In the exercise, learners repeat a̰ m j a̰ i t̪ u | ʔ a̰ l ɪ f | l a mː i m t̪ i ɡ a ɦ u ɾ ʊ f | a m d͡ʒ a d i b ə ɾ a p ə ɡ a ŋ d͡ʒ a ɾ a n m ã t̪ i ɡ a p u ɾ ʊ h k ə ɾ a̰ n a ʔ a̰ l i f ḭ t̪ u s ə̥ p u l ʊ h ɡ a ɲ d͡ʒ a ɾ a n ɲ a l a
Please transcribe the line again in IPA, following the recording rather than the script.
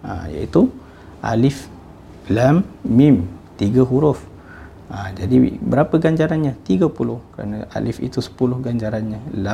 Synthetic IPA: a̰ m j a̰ i t̪ u | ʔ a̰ l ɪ f | l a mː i m t̪ i ɡ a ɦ u ɾ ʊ f | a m d͡ʒ a d i b ə ɾ a p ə ɡ a ɲ d͡ʒ a ɾ a n ɲ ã t̪ i ɡ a p u l ʊ h k ə ɾ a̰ n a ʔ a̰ l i f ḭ t̪ u s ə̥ p u l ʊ h ɡ a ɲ d͡ʒ a ɾ a n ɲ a l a